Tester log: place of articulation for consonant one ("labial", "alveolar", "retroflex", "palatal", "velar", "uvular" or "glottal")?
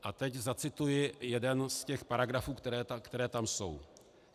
glottal